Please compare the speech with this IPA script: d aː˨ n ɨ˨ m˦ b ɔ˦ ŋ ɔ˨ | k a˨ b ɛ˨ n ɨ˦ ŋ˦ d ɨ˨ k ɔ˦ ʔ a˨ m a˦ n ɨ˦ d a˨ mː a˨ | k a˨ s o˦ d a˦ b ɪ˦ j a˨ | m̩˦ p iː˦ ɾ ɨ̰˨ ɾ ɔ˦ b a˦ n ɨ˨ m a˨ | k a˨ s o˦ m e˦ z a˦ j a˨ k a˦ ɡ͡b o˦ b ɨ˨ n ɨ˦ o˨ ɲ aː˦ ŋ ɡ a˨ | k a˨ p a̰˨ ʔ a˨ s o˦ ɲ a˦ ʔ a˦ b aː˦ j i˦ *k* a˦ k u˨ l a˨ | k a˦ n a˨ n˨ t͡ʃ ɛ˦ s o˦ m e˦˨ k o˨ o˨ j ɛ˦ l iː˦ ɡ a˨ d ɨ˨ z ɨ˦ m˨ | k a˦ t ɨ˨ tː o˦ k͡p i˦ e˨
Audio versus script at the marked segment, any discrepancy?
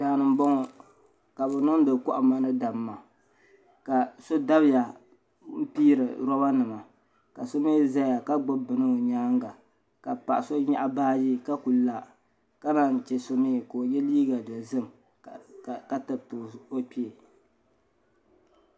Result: no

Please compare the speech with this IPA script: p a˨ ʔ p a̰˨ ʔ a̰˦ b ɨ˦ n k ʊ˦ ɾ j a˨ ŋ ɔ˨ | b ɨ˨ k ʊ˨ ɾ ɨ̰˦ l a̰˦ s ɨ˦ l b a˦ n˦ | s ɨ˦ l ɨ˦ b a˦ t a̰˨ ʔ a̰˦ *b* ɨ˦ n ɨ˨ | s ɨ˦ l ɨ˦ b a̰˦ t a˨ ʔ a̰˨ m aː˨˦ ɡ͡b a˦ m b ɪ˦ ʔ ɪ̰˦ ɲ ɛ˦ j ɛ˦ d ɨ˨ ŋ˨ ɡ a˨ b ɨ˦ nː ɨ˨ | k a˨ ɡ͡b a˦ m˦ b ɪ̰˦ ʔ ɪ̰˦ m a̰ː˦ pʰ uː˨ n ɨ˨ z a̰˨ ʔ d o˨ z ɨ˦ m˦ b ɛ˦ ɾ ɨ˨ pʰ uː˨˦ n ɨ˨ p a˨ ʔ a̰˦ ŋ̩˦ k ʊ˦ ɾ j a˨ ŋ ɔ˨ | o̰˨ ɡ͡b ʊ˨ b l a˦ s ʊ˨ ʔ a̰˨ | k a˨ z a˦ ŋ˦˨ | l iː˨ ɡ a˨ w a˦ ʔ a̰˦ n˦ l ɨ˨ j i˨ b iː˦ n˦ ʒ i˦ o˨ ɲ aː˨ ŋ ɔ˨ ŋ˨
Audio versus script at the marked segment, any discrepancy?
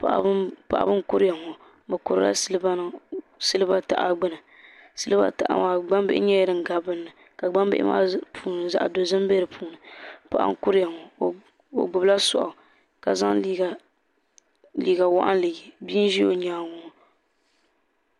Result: yes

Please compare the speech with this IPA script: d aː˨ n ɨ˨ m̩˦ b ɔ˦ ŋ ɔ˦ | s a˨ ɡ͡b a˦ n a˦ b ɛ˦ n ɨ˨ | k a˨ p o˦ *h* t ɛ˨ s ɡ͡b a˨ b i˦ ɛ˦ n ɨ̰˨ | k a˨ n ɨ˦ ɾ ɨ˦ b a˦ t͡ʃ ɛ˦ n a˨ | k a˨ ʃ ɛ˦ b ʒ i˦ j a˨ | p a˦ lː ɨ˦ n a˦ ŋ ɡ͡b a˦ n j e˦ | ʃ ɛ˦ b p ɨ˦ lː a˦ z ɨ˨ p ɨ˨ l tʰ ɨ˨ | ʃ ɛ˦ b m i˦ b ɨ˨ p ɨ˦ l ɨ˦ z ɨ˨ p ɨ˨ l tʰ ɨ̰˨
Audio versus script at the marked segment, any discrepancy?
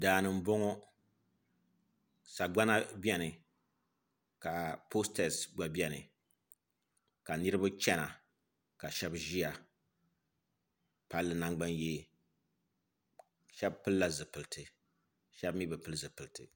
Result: yes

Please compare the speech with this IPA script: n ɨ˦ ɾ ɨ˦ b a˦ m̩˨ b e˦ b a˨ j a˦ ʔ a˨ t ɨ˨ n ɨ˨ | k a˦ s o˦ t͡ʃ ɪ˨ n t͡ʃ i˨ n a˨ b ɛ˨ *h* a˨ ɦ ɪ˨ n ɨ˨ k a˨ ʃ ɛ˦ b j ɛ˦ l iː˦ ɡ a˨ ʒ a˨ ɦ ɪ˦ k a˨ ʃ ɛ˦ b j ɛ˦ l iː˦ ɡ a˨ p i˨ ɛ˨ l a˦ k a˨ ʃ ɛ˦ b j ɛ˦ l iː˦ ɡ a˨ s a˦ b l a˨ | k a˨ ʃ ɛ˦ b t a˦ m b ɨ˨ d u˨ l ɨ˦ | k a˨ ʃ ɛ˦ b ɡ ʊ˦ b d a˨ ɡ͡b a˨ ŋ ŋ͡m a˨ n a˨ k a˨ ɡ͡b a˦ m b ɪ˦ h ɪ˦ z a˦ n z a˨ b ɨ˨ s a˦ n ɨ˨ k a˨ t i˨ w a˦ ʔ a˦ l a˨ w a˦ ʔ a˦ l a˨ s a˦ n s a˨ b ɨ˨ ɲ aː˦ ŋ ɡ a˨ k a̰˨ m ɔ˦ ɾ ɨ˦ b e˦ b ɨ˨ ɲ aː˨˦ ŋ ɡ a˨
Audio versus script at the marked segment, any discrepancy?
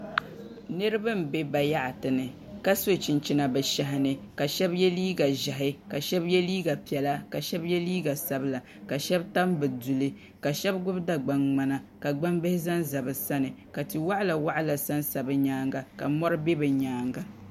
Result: yes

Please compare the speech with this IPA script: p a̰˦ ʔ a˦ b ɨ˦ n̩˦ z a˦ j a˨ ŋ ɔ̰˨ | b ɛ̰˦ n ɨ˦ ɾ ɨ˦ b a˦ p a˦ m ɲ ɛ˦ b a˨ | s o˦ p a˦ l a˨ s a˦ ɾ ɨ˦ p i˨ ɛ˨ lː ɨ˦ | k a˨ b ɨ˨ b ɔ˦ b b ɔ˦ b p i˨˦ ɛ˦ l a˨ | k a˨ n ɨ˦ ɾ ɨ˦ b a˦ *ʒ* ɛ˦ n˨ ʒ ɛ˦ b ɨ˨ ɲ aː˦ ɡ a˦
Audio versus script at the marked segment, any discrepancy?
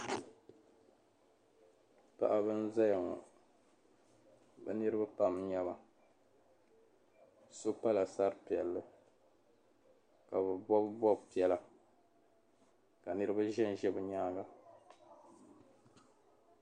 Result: no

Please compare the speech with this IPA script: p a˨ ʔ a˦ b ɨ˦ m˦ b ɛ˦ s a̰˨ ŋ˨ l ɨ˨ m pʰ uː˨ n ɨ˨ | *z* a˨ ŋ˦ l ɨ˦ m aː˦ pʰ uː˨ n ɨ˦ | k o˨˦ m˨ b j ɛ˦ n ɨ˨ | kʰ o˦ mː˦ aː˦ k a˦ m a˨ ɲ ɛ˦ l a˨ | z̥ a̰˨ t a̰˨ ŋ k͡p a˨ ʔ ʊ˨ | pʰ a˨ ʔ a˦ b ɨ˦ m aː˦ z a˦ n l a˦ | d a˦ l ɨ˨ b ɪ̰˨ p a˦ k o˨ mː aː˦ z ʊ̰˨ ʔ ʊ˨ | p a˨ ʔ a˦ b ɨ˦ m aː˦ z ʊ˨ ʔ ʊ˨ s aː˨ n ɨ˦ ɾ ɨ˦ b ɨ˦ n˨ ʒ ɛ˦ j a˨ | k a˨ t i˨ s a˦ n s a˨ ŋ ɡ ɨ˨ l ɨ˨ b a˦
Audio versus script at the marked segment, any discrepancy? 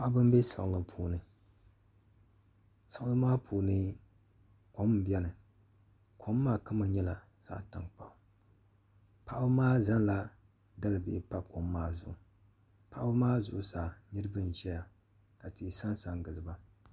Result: yes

